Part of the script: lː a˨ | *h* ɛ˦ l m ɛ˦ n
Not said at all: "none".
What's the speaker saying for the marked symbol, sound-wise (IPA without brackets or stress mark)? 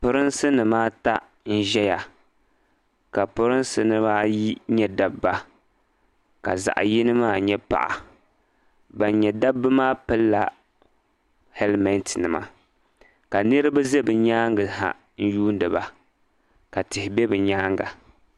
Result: h